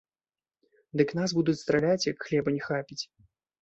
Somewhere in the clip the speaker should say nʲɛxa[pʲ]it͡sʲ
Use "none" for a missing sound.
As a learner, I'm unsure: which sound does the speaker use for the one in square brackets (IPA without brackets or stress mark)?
pʲ